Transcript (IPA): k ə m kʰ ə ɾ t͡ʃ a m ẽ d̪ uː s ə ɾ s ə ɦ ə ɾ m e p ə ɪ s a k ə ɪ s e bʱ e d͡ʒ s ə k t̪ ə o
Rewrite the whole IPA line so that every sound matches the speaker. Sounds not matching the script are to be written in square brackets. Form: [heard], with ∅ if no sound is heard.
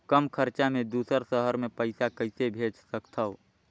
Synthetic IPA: k ə m kʰ ə ɾ t͡ʃ a m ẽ d̪ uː s ə ɾ s ə ɦ ə ɾ m e p ə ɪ s a k ə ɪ s e bʱ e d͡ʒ s ə k [t̪ʰ] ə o